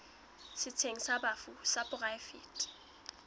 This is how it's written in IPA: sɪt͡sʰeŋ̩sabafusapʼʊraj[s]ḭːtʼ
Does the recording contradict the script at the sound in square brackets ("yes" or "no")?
yes